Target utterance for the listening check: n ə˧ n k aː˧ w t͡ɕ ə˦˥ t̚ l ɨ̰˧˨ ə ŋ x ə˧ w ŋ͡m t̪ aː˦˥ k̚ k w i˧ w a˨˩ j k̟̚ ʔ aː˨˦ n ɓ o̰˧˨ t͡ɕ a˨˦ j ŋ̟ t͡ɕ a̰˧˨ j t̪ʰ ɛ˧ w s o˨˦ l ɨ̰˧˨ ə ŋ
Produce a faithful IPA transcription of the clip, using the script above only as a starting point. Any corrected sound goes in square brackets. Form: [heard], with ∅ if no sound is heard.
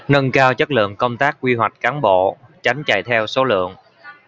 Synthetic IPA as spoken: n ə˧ n k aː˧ w t͡ɕ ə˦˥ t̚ l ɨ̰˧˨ ə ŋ [k] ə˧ w ŋ͡m t̪ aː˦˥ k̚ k w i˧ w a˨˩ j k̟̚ [k] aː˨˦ n ɓ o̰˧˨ t͡ɕ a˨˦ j ŋ̟ t͡ɕ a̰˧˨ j t̪ʰ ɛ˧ w s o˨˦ l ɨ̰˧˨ ə ŋ